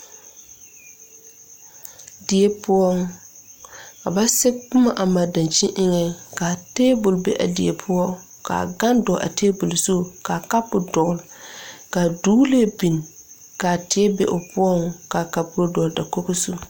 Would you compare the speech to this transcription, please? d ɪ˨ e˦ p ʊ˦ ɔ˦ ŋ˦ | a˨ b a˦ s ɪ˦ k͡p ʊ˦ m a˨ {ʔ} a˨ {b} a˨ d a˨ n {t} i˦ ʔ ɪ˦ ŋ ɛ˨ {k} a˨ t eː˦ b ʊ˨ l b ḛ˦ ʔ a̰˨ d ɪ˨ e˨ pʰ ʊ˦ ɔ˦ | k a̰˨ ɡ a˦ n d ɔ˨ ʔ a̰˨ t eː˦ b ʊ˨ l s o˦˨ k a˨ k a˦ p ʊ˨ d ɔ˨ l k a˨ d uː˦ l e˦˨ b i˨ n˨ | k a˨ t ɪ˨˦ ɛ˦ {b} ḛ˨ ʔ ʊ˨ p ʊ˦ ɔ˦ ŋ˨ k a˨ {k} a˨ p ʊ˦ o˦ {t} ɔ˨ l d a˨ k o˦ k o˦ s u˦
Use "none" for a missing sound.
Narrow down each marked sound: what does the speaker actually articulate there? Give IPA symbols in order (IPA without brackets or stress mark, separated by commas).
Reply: ʔ, m, t͡ʃ, k, b, k, d